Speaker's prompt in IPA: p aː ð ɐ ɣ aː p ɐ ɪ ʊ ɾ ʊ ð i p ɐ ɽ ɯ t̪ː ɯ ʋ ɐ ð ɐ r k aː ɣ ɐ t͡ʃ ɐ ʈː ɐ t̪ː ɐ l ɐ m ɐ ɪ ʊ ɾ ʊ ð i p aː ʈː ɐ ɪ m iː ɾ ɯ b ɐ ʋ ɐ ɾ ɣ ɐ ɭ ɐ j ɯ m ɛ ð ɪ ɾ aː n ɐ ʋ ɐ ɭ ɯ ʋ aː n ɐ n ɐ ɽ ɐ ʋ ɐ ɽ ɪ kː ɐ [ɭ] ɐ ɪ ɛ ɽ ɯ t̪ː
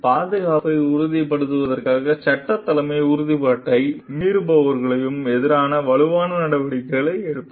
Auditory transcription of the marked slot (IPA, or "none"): ɭ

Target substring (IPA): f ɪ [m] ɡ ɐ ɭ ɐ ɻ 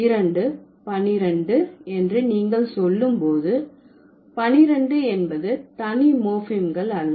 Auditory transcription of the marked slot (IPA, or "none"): m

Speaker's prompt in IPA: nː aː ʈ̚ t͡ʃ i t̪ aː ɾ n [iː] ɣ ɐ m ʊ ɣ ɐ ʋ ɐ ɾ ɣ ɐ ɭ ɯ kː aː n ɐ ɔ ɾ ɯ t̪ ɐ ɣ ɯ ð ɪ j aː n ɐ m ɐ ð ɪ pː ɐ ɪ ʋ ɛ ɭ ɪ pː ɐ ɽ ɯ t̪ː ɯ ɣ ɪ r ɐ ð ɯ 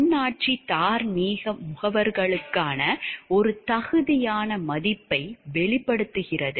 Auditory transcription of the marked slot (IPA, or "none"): iː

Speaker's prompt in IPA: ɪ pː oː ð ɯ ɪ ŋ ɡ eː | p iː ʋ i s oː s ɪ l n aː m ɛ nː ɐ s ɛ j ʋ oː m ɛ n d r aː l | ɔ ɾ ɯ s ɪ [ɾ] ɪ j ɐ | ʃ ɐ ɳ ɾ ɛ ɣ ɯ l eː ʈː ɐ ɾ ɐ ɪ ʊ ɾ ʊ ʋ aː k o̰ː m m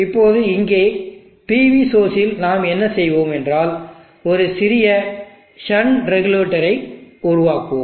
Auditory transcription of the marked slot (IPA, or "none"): ɾ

